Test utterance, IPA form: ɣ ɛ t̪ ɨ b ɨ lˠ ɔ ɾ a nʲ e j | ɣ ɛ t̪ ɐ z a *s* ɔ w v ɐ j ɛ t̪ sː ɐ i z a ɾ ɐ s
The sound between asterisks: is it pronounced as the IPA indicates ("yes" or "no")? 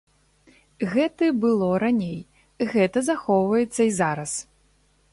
no